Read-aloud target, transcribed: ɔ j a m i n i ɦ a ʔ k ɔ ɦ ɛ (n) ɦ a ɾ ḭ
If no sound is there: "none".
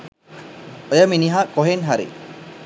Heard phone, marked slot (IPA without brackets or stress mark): n